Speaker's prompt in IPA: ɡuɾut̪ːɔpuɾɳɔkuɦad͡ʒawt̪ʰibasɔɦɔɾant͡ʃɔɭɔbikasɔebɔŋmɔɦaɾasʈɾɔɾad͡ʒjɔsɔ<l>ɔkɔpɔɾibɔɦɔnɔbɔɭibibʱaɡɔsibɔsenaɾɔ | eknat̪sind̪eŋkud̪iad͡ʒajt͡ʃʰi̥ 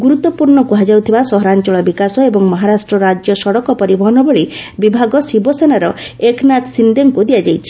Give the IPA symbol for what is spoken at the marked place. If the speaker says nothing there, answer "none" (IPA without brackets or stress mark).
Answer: ɽ